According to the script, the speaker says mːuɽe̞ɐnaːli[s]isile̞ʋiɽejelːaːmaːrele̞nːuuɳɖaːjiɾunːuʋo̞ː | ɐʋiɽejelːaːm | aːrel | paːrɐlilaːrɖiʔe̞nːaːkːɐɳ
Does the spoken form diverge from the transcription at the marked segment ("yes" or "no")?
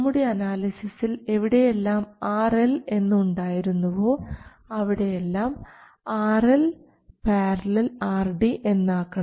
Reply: no